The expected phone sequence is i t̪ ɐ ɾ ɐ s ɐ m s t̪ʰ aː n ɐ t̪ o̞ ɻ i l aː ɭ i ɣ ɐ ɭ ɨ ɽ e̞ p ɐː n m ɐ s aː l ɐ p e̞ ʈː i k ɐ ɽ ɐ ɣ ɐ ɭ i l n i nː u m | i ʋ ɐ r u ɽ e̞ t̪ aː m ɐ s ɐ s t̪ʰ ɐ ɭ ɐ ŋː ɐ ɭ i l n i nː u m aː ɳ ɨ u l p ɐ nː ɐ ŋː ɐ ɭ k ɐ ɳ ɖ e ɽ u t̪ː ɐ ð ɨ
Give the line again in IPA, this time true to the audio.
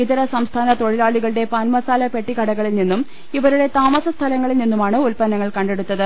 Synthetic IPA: i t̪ ɐ ɾ ɐ s ɐ m s t̪ʰ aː n ɐ t̪ o̞ ɻ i l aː ɭ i ɣ ɐ ɭ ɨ ɽ e̞ p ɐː n m ɐ s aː l ɐ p e̞ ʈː i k ɐ ɽ ɐ ɣ ɐ ɭ i l n i nː u m | i ʋ ɐ ɾ u ɽ e̞ t̪ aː m ɐ s ɐ s t̪ʰ ɐ l ɐ ŋː ɐ ɭ i l n i nː u m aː ɳ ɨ u l p ɐ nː ɐ ŋː ɐ ɭ k ɐ ɳ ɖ e ɽ u t̪ː ɐ ð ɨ